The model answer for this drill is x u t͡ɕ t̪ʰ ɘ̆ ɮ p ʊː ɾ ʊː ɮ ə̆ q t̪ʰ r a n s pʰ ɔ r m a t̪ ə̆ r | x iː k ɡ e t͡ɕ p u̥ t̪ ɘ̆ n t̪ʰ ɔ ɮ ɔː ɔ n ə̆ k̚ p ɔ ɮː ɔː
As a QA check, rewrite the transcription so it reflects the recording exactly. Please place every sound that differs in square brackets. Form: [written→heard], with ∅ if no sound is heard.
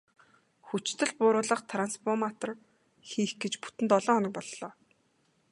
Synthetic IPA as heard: x u t͡ɕ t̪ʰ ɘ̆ ɮ p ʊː ɾ ʊː ɮ ə̆ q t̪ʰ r a n s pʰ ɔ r m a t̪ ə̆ r | x iː [k→x] ɡ e t͡ɕ p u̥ t̪ ɘ̆ n [t̪ʰ→t̪] ɔ ɮ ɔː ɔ n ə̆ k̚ p ɔ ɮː ɔː